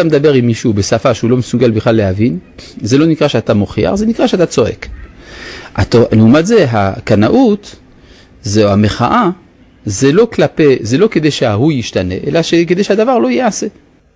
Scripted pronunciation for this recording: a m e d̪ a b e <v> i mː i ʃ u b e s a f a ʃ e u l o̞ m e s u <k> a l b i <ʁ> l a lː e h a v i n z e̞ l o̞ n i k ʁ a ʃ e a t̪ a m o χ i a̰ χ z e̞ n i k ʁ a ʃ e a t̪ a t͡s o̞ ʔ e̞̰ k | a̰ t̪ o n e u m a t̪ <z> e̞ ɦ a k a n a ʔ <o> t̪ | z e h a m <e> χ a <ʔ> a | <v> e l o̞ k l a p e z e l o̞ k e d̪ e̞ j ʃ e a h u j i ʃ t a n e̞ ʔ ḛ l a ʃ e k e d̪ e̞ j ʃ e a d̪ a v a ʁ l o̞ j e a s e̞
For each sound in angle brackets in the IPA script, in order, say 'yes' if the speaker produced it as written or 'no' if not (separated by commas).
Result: no, no, no, yes, no, yes, yes, no